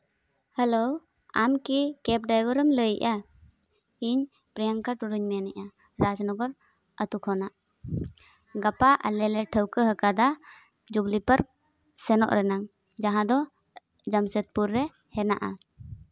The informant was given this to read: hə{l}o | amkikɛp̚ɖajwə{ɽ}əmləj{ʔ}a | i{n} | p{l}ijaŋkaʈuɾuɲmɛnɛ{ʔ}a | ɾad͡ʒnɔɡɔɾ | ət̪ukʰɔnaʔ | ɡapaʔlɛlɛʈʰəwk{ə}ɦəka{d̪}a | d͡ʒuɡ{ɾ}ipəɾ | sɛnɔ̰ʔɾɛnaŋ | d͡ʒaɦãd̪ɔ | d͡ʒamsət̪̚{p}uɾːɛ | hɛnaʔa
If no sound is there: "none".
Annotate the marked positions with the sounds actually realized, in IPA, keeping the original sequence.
l, ɾ, ʔ, ɲ, ɾ, ʔ, ə, d̪, l, p

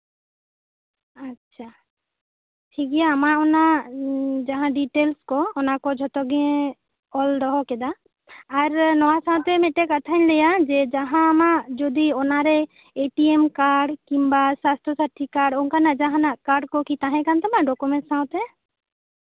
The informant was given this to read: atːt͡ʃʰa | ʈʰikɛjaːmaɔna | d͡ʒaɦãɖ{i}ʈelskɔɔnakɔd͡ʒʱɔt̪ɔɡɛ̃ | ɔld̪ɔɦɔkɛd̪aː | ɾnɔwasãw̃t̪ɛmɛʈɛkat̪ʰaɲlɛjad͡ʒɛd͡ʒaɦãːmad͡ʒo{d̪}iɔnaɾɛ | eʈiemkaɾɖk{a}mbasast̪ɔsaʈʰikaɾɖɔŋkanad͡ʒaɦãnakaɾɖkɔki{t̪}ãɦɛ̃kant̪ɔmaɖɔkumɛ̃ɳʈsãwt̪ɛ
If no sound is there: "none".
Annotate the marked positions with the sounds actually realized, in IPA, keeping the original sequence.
i, d̪, i, t̪

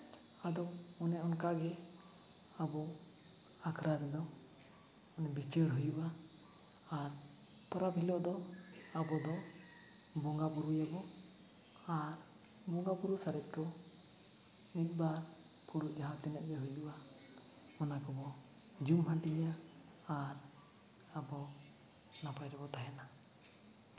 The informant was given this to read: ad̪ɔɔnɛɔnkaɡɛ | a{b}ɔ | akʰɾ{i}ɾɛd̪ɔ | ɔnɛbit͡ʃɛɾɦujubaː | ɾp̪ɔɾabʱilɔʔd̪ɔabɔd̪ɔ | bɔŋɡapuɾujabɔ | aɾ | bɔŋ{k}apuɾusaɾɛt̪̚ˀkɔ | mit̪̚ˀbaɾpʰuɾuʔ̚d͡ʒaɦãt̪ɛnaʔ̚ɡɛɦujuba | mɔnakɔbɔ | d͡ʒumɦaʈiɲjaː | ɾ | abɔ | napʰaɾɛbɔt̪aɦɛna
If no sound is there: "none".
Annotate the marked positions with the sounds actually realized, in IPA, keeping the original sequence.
b, a, ɡ

